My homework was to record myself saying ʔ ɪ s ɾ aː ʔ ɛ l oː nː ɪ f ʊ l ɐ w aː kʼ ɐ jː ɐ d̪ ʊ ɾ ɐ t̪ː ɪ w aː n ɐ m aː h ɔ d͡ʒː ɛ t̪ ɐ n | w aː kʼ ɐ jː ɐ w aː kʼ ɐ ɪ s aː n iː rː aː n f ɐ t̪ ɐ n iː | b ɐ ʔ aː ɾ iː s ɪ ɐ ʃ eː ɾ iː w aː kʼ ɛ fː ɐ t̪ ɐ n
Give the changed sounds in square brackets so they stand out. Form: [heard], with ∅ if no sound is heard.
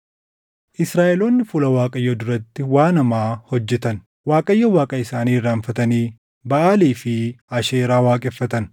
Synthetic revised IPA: ʔ ɪ s ɾ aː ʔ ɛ l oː nː ɪ f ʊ l ɐ w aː kʼ ɐ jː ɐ d̪ ʊ ɾ ɐ t̪ː ɪ w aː n ɐ m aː h ɔ d͡ʒː ɛ t̪ ɐ n | w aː kʼ ɐ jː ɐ w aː kʼ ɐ ɪ s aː n iː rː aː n f ɐ t̪ ɐ n iː | b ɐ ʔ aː [l] iː [f] ɪ ɐ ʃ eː ɾ [aː] w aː kʼ ɛ fː ɐ t̪ ɐ n